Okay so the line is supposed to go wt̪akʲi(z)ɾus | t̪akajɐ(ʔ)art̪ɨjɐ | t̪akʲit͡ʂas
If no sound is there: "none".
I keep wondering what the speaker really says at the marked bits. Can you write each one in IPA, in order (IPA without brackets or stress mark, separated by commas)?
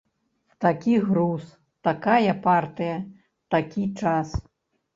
ɣ, p